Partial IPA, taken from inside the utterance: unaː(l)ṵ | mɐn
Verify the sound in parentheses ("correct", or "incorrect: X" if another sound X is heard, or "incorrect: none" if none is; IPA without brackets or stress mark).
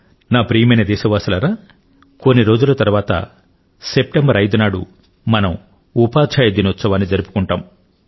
incorrect: ɽ